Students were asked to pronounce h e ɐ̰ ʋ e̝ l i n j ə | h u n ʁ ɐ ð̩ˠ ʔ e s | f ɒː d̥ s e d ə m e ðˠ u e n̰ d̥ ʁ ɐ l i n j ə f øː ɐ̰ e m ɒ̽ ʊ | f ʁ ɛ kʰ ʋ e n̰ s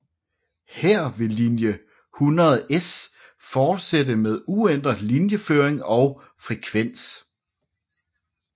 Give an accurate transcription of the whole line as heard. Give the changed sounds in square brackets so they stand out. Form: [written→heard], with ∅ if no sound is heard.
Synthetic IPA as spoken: h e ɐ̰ ʋ e̝ l i n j ə | h u n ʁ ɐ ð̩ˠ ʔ e s | f ɒː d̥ s e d ə m e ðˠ u e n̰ d̥ ʁ ɐ l i n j ə f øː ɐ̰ e [m→ŋ] ɒ̽ ʊ | f ʁ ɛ kʰ ʋ e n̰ s